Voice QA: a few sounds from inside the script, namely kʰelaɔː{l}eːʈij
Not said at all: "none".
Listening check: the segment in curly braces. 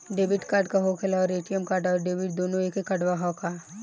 ɾ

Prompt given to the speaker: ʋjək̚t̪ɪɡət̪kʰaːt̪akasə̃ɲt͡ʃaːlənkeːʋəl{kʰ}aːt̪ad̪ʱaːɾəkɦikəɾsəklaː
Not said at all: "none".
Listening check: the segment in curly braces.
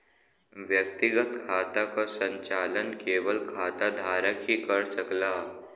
kʰ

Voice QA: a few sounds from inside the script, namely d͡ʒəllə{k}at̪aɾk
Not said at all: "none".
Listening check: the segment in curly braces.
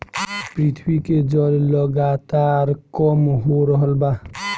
ɡ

